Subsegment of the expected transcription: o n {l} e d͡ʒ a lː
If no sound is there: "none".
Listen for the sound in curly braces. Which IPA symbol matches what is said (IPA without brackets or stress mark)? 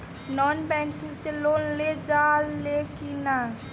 l